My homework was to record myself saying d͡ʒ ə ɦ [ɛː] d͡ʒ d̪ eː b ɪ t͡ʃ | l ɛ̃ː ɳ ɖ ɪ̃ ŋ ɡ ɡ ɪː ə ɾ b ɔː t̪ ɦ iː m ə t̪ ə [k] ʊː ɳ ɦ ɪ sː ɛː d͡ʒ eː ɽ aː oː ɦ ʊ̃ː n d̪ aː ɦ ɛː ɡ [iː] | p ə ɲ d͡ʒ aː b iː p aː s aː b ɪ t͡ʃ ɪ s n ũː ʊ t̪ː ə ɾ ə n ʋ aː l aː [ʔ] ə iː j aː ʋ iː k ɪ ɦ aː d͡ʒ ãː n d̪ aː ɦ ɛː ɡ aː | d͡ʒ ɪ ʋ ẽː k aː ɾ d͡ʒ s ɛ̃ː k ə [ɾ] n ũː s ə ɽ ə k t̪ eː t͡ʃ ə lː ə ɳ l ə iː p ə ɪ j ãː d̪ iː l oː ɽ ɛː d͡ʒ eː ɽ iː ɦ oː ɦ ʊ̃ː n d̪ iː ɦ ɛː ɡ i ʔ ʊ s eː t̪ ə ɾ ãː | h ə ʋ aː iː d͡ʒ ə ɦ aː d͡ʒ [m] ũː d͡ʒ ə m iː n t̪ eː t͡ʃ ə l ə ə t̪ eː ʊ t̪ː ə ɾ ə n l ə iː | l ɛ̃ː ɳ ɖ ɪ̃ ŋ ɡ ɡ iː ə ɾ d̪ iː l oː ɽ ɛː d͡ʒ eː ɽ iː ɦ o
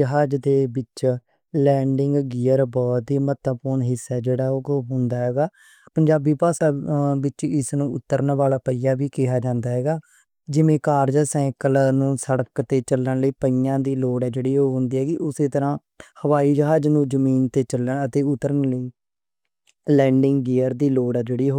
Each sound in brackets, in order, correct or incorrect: incorrect: aː, incorrect: p, incorrect: aː, incorrect: p, incorrect: l, incorrect: n

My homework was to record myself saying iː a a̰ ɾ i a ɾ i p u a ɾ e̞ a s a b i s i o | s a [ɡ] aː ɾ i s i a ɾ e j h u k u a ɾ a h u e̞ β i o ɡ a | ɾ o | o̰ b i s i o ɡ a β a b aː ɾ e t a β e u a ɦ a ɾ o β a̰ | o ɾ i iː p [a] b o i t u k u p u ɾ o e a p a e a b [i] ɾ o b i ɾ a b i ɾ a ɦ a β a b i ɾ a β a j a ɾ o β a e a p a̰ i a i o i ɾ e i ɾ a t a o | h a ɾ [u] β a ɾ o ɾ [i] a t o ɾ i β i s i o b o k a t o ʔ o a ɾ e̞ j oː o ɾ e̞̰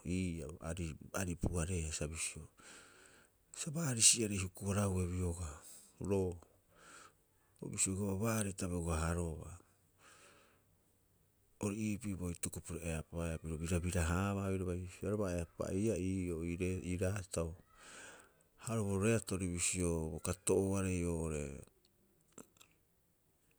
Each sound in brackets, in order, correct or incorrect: incorrect: b, incorrect: i, correct, incorrect: o, incorrect: e

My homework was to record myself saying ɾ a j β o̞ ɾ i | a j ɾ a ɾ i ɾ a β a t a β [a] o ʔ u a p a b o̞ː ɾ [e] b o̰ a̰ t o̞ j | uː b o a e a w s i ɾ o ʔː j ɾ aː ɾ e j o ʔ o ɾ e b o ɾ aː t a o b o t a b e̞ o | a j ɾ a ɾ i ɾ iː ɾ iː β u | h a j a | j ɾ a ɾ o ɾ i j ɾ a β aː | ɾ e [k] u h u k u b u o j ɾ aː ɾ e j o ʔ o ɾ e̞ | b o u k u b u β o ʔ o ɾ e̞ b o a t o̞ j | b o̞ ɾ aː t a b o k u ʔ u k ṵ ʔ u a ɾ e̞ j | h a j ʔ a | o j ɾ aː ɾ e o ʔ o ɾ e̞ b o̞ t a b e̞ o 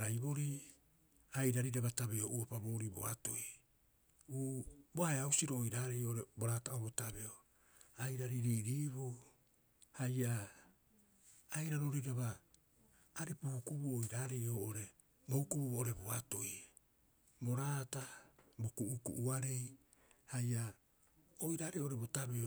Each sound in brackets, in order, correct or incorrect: incorrect: e, incorrect: i, incorrect: p

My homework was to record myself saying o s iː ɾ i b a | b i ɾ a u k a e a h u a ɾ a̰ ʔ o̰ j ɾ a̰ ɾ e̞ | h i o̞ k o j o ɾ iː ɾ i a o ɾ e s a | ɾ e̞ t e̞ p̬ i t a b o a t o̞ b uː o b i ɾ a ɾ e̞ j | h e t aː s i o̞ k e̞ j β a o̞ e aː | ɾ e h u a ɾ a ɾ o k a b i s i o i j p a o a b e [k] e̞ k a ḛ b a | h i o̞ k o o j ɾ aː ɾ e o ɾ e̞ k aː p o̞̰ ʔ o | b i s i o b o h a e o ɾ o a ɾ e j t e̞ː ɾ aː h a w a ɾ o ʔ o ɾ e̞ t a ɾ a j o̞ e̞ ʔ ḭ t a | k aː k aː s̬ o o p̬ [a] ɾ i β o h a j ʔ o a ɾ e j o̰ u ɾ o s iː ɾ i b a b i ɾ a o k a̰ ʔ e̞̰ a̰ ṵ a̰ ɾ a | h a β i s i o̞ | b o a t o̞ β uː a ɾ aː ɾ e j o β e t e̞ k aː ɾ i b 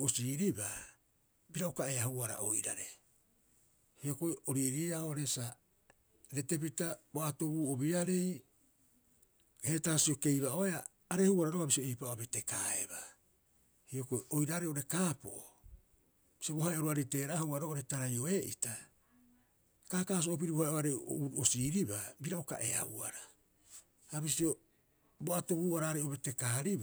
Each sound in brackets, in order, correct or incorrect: incorrect: t, incorrect: i

